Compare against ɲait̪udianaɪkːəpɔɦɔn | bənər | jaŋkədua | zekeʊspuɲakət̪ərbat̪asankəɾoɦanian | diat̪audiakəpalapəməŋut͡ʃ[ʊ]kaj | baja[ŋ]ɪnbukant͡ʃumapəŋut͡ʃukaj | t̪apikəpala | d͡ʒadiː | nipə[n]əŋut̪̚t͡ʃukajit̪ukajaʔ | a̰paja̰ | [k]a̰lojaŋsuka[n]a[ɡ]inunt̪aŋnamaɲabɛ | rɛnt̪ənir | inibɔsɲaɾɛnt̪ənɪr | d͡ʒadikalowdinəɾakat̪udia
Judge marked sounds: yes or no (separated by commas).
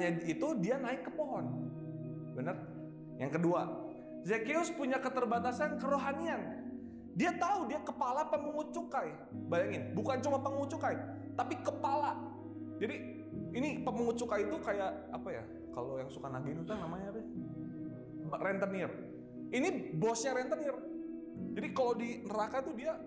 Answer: no, yes, no, yes, yes, yes